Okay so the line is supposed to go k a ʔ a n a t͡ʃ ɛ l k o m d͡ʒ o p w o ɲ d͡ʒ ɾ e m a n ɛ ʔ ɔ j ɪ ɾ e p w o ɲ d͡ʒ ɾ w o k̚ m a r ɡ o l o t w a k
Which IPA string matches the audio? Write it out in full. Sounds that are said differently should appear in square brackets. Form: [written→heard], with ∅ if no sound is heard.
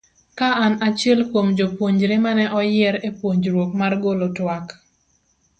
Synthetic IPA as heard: k a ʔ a n a t͡ʃ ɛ l k o m d͡ʒ o p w o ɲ d͡ʒ ɾ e m a n ɛ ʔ ɔ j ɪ ɾ e p w o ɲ d͡ʒ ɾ w o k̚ m a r ɡ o l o t w a k